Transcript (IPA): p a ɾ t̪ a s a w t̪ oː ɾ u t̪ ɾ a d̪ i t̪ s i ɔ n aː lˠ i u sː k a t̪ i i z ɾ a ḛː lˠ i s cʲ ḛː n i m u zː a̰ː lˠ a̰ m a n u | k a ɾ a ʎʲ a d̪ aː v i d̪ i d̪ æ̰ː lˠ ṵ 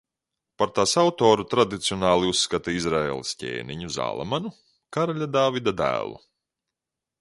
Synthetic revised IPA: p a ɾ t̪ a s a w t̪ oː ɾ u t̪ ɾ a d̪ i t̪ s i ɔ n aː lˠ i u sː k a t̪ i i z ɾ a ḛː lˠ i s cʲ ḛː n i ɲ u z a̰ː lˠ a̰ m a n u | k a ɾ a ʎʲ a d̪ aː v i d̪ a d̪ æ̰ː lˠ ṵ